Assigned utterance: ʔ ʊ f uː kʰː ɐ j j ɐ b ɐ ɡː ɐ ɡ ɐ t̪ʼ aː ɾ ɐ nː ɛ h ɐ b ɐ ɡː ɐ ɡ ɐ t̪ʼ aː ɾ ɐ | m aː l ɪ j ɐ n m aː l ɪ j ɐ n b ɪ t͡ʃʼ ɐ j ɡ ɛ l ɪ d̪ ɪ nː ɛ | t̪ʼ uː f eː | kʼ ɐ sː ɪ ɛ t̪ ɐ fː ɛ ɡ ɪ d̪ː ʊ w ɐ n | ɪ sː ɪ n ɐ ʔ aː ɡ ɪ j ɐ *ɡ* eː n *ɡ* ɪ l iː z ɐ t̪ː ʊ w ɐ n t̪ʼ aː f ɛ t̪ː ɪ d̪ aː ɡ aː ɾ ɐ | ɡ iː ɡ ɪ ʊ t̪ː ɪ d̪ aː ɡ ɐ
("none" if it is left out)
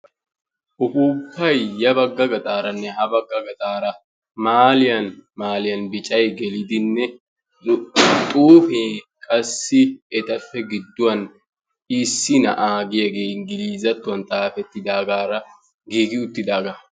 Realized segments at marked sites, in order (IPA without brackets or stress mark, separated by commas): ɡ, ɡ